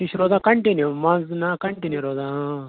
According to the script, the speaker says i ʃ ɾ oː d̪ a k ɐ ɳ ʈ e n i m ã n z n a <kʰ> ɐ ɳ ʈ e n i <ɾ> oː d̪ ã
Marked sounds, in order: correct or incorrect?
incorrect, correct

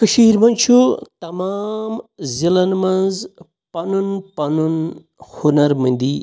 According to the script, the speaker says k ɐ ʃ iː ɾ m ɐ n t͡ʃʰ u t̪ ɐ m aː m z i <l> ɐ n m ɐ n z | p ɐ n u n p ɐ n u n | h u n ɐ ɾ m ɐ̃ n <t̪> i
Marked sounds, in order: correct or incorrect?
correct, incorrect

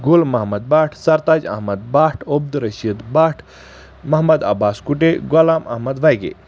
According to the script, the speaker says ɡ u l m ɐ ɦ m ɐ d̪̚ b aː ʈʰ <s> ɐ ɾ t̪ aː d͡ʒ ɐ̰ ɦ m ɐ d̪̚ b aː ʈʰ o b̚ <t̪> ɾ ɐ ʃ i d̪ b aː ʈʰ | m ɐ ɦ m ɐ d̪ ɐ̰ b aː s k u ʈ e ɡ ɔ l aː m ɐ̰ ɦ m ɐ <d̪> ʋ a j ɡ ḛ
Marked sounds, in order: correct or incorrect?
correct, incorrect, correct

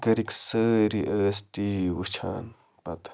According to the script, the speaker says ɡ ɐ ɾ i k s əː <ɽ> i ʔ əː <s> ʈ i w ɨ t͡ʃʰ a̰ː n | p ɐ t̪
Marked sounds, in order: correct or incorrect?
incorrect, correct

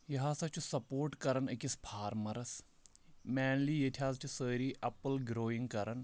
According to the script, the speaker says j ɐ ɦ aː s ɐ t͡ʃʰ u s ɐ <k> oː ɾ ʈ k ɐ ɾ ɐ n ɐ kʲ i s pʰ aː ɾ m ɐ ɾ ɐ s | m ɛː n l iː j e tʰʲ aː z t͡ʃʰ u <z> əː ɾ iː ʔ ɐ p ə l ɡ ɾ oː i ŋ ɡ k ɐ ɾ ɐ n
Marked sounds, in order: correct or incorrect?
incorrect, incorrect

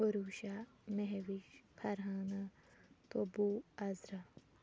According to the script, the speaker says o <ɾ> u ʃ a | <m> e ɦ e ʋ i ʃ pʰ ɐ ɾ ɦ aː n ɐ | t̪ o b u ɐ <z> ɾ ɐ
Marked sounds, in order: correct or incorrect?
correct, correct, correct

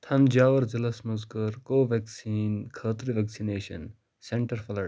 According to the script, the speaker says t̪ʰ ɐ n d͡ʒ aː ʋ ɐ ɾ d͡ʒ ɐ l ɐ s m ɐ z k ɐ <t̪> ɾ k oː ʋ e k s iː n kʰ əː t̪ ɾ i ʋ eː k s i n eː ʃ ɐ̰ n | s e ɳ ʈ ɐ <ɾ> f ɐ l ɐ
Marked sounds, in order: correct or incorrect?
incorrect, correct

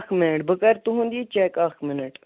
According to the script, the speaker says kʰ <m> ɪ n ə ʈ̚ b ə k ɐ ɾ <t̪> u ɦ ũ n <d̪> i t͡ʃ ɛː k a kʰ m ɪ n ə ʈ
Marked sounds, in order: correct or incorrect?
correct, correct, correct

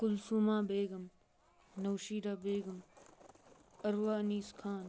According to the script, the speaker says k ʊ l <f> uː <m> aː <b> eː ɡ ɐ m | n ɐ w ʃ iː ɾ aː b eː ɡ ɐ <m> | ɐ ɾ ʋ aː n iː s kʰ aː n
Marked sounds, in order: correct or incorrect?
incorrect, correct, correct, correct

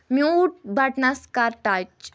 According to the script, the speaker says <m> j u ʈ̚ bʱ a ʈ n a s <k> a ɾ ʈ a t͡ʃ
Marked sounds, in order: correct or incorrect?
correct, correct

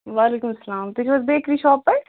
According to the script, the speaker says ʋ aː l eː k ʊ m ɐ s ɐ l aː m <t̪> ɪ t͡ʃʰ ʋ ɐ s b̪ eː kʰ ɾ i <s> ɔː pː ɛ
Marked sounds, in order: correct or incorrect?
correct, incorrect

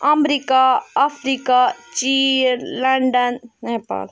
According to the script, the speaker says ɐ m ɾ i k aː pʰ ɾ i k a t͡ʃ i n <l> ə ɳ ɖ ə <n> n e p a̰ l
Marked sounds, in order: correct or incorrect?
correct, correct

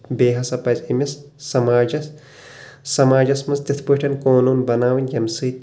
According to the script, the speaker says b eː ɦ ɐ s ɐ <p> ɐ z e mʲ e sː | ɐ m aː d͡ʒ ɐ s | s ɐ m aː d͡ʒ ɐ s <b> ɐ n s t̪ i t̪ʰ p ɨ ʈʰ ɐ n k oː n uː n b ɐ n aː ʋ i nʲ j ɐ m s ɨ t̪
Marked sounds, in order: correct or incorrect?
correct, incorrect

